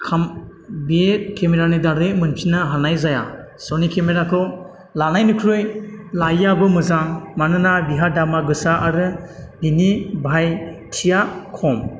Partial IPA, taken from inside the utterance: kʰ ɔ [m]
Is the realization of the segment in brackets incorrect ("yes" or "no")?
no